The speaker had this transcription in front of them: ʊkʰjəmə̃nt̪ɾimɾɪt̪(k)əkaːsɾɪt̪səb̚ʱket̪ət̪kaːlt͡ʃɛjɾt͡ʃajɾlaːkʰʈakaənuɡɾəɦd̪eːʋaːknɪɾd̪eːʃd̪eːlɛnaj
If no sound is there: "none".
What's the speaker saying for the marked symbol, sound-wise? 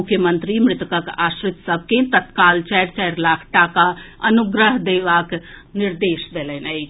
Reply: k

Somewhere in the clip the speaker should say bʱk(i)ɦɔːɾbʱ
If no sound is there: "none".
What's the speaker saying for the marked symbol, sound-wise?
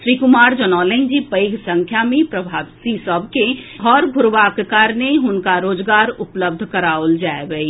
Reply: e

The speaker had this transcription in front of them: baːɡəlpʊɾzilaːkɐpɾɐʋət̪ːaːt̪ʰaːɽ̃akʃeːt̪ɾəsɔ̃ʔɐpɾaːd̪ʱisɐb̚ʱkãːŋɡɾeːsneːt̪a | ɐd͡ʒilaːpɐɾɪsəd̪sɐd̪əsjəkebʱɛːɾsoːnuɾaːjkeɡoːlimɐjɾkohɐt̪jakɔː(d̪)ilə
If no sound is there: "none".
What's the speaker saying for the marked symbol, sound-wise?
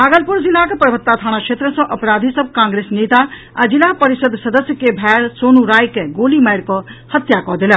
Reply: d̪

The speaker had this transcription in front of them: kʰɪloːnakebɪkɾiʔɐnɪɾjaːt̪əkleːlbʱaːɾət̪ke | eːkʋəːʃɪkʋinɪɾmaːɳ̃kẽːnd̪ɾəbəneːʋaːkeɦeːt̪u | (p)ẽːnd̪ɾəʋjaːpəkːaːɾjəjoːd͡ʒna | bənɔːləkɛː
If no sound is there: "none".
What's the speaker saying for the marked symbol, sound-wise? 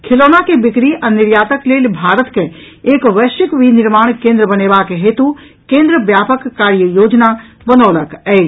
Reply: k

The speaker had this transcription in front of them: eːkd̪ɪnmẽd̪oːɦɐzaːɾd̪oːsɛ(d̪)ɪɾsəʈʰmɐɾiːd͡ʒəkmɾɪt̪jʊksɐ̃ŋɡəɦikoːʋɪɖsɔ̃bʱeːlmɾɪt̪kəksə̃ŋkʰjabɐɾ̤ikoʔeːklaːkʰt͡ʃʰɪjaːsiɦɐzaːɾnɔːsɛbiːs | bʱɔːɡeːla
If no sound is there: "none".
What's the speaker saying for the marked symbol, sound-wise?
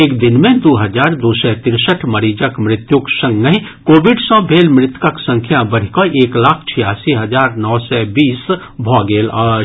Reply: t̪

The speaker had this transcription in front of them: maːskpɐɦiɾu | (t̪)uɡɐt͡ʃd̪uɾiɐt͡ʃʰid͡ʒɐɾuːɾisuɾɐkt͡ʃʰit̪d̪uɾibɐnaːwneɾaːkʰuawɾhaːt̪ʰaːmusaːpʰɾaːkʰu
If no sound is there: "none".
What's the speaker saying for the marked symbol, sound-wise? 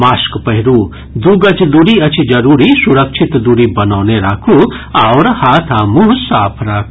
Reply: d̪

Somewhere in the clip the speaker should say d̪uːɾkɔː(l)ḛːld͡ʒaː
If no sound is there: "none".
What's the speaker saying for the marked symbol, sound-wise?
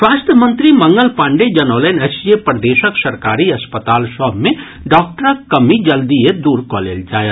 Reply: l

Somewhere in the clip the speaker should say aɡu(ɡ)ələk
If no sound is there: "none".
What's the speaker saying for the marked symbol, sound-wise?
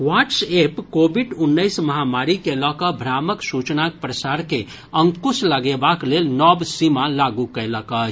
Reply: k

